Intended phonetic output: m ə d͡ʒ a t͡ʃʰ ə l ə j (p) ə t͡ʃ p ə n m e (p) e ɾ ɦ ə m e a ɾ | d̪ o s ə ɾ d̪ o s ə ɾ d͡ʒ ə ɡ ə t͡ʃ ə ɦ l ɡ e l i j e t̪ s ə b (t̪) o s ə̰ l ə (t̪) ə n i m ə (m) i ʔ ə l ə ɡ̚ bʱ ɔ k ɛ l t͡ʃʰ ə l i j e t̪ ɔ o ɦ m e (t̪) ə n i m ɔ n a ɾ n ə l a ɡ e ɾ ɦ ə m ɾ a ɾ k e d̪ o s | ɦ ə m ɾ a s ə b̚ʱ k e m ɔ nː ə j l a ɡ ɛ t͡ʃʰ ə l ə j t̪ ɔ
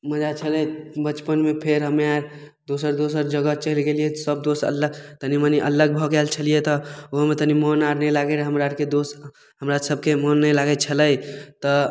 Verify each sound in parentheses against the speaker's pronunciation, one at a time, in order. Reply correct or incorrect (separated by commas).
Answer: incorrect, incorrect, incorrect, correct, incorrect, correct